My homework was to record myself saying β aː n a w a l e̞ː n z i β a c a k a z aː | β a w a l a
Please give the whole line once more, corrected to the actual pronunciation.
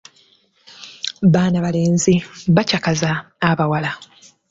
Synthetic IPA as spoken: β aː n a β a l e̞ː n z i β a c a k a z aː | β a w a l a